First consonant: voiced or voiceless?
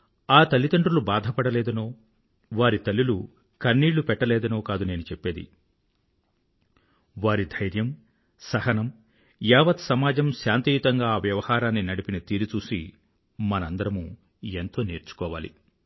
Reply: voiceless